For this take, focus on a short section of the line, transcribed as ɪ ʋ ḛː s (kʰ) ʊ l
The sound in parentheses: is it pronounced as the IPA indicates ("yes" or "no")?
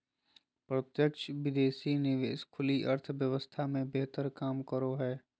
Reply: yes